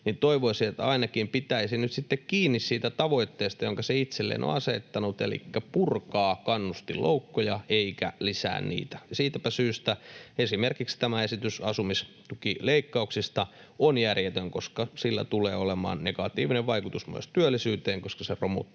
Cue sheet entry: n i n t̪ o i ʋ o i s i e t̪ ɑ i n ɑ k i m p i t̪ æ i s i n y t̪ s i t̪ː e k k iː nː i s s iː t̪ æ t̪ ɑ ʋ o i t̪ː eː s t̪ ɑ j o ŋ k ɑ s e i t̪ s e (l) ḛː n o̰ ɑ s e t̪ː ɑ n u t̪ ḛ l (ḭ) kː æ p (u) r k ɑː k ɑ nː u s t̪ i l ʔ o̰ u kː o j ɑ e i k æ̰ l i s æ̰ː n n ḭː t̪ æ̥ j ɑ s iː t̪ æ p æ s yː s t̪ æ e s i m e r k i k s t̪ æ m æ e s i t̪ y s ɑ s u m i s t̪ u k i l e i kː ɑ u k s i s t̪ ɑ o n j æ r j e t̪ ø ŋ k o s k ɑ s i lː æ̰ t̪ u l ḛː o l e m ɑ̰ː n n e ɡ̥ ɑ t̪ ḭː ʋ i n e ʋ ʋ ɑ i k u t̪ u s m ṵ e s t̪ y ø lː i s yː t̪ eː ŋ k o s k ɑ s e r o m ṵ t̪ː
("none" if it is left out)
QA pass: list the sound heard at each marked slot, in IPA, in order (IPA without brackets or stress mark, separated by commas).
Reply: lː, ḭ, u